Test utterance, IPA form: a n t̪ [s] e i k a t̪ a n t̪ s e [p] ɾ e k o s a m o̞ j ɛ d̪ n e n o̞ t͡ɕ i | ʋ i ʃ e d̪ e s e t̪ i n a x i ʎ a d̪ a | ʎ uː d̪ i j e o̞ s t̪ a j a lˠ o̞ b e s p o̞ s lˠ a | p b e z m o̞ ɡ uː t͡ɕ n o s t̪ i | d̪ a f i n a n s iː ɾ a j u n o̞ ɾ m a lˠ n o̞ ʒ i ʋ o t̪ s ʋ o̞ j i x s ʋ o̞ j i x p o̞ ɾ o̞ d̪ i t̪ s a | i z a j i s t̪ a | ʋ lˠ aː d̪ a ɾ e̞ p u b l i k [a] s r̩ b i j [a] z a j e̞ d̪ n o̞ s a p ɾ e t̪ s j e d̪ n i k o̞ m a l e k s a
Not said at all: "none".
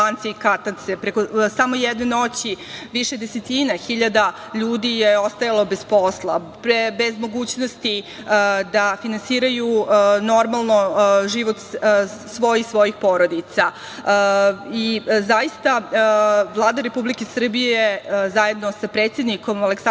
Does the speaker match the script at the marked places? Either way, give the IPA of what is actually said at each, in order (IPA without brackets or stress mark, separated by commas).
s, p, e, e